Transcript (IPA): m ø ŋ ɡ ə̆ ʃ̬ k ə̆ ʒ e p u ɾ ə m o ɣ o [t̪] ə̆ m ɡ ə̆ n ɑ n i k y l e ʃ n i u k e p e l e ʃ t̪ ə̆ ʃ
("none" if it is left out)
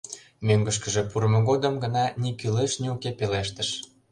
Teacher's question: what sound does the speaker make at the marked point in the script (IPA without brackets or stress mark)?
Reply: d̪